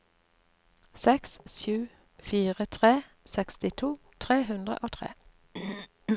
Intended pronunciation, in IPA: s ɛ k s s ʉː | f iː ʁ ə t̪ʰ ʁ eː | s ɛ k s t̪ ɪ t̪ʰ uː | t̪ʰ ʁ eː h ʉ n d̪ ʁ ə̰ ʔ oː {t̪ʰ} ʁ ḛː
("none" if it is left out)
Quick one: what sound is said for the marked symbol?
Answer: t̪ʰ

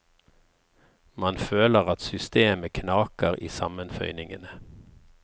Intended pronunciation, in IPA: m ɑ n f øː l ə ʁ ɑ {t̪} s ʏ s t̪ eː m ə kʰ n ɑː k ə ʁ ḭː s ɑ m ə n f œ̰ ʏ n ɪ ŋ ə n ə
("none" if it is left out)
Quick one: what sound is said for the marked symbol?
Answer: t̪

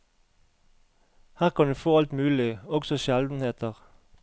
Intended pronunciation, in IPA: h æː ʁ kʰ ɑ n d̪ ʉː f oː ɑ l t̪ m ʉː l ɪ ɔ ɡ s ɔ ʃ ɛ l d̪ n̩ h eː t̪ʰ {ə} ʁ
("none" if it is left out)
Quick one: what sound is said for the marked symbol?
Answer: ə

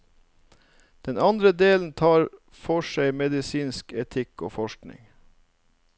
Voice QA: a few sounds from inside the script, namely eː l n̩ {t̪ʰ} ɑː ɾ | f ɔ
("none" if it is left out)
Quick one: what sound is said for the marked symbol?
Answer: t̪ʰ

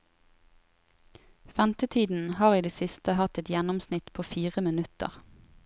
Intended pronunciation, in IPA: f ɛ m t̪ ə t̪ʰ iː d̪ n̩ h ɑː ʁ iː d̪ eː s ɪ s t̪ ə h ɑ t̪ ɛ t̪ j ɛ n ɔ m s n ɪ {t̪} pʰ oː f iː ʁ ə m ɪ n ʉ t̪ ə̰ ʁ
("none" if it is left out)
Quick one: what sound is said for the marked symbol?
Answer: t̪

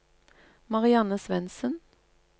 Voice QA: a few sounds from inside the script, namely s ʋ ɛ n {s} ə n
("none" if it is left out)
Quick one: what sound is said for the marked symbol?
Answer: s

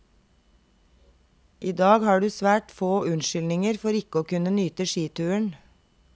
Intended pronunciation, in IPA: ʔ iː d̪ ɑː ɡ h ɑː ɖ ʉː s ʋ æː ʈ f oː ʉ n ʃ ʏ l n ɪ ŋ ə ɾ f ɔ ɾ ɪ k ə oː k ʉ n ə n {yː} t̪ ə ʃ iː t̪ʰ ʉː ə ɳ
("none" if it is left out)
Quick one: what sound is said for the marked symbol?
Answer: yː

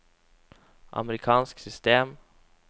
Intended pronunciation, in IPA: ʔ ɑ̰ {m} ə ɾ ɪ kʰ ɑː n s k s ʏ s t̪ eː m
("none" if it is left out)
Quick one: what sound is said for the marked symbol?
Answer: m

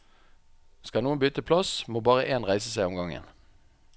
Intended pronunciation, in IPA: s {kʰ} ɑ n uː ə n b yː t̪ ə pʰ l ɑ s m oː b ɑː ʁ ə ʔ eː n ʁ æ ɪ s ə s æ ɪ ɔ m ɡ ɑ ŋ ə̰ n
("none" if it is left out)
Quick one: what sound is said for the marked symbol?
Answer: k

